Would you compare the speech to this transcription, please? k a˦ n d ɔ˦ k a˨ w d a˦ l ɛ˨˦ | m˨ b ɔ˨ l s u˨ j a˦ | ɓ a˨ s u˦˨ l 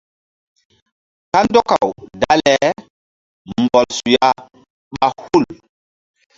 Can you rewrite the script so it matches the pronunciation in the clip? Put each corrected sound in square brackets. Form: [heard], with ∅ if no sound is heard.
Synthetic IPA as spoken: k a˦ n d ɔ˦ k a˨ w d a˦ l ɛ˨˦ | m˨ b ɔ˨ l s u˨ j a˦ | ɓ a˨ [h] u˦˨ l